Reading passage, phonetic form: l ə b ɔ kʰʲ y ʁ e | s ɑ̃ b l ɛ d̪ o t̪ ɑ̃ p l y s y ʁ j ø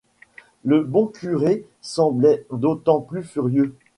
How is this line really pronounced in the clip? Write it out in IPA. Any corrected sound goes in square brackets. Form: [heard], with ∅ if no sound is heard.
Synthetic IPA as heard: l ə b [ɔ̃] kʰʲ y ʁ e | s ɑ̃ b l ɛ d̪ o t̪ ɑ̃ p l y [f] y ʁ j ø